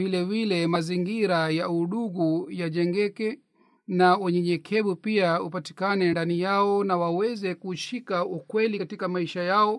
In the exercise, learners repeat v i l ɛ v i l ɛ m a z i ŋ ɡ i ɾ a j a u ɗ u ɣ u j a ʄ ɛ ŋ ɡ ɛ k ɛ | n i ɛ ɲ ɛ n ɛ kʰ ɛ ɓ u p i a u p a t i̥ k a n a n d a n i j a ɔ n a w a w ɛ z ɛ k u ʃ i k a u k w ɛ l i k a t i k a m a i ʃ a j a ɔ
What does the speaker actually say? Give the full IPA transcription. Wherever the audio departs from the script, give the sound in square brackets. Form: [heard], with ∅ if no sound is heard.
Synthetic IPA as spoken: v i l ɛ v i l ɛ m a z i ŋ ɡ i ɾ a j a u ɗ u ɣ u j a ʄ ɛ ŋ ɡ ɛ k ɛ | n [a] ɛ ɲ ɛ [ɲ] ɛ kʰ ɛ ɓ u p i a u p a t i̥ k a n [ɛ] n d a n i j a ɔ n a w a w ɛ z ɛ k u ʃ i k a u k w ɛ l i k a t i k a m a i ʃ a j a ɔ